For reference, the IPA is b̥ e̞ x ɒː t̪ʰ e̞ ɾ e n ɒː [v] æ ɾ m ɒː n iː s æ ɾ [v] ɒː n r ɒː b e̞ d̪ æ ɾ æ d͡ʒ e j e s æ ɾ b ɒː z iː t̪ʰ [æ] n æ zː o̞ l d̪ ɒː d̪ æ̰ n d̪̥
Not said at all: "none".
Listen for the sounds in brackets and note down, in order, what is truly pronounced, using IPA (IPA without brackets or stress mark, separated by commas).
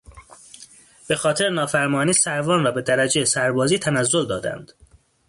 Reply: f, v, æ